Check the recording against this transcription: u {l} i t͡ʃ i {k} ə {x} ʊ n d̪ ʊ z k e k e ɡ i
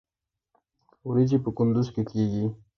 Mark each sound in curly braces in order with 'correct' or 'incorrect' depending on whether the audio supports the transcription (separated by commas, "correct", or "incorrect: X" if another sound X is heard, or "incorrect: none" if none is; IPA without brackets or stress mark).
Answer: incorrect: ɾ, incorrect: p, incorrect: k